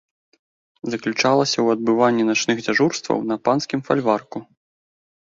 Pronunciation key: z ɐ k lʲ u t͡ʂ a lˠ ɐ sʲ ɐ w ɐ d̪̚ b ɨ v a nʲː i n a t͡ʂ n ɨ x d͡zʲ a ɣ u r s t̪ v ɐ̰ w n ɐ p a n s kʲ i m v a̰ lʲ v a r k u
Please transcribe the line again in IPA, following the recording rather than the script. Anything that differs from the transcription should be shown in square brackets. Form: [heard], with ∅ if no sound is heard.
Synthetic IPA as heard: z ɐ k lʲ u t͡ʂ a lˠ ɐ sʲ ɐ w ɐ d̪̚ b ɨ v a nʲː i n a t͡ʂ n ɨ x d͡zʲ a [ʐ] u r s t̪ v ɐ̰ w n ɐ p a n s kʲ i m [f] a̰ lʲ v a r k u

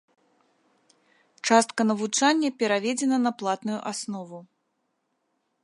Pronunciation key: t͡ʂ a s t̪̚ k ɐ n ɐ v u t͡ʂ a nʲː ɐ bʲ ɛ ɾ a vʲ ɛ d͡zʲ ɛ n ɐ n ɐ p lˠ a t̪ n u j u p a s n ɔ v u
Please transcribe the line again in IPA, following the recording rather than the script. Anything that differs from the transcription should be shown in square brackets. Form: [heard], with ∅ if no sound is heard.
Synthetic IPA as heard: t͡ʂ a s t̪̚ k ɐ n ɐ v u t͡ʂ a nʲː ɐ [pʲ] ɛ ɾ a vʲ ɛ d͡zʲ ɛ n ɐ n ɐ p lˠ a t̪ n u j u [ʔ] a s n ɔ v u

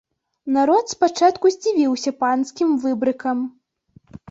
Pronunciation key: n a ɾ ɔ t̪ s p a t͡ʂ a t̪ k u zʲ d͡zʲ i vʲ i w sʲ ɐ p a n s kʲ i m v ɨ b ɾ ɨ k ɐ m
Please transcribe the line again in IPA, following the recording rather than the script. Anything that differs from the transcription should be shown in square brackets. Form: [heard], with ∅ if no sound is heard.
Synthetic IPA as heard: n a ɾ ɔ t̪ s p a t͡ʂ a t̪ k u zʲ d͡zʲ i vʲ i w sʲ ɐ p a n s kʲ i m v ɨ b ɾ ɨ k ɐ m

